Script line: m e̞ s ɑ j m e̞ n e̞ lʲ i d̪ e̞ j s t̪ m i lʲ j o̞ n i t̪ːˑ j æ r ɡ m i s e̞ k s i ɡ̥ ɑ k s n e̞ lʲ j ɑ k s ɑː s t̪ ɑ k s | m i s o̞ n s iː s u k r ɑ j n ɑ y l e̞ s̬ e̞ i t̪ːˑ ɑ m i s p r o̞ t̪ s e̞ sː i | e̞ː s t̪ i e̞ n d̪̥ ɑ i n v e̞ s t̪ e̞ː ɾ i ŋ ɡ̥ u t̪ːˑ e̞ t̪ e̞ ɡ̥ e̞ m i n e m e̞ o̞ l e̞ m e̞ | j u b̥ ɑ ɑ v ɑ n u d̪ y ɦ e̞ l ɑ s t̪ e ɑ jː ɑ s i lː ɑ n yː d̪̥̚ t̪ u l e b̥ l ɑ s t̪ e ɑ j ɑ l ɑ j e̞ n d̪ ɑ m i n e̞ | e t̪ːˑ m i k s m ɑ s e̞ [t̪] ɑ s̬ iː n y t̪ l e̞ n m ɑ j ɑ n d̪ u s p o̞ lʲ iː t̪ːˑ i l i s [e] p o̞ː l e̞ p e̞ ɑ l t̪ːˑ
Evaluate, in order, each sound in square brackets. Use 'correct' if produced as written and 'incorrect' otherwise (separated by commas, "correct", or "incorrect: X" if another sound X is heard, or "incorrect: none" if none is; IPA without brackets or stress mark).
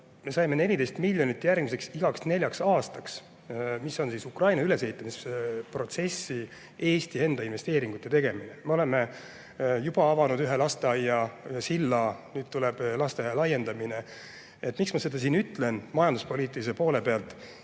incorrect: d̪, correct